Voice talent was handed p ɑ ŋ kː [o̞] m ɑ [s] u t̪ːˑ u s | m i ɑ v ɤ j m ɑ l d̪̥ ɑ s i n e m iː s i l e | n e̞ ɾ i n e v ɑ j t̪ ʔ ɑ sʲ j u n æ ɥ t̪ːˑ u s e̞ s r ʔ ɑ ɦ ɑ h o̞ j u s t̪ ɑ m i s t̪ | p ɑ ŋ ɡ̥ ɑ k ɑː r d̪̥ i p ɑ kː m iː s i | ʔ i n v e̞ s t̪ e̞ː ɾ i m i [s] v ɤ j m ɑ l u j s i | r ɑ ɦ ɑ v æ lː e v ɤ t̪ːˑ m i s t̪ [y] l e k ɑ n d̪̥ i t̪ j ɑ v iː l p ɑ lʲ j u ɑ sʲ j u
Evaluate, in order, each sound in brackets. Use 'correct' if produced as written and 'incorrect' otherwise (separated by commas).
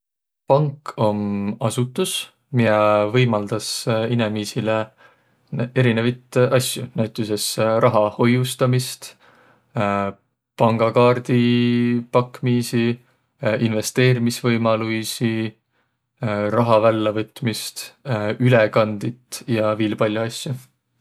correct, correct, correct, correct